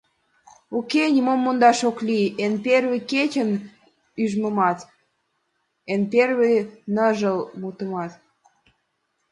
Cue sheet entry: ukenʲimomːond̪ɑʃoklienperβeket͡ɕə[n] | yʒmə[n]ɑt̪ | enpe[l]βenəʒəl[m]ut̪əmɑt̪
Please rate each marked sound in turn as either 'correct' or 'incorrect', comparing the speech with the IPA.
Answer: correct, incorrect: m, incorrect: r, correct

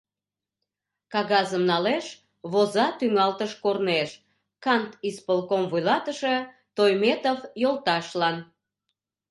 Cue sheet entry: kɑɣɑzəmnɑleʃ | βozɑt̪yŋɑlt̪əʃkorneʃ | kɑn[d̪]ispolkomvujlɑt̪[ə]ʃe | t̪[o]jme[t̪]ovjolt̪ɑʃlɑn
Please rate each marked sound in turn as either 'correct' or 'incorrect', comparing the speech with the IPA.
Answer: incorrect: t̪, correct, correct, correct

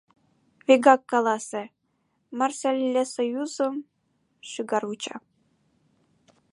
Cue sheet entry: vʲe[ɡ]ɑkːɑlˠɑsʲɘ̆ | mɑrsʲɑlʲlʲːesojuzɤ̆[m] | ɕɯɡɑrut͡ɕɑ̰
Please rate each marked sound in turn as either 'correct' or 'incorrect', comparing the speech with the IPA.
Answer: correct, correct

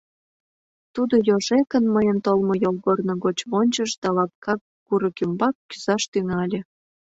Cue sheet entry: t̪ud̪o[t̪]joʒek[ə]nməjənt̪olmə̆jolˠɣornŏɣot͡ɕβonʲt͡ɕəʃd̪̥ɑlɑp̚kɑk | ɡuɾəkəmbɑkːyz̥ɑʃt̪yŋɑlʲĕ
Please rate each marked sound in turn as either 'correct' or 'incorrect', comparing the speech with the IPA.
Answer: incorrect: none, correct

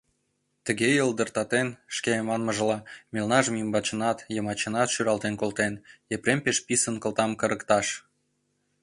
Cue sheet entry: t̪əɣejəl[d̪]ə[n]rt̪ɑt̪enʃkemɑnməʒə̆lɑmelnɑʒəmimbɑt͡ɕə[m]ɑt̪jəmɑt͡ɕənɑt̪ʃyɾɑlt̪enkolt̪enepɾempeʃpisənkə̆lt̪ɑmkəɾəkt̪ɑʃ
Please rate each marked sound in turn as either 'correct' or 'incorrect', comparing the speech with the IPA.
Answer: correct, incorrect: none, incorrect: n

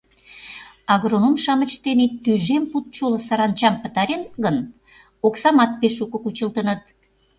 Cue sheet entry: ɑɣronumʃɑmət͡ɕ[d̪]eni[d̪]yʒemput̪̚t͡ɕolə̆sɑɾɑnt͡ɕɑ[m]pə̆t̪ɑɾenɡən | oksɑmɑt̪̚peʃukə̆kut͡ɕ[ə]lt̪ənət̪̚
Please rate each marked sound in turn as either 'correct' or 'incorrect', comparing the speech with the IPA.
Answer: incorrect: t̪, incorrect: t̪, correct, correct

